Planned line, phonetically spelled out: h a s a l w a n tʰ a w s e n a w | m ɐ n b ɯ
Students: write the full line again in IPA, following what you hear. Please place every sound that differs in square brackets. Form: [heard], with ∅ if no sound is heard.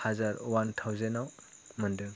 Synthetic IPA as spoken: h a [z] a [ɾ] w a n tʰ a w [z] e n a w | m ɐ n [d] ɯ